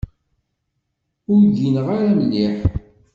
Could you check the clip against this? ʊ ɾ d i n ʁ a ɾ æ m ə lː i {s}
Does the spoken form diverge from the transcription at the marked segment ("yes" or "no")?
yes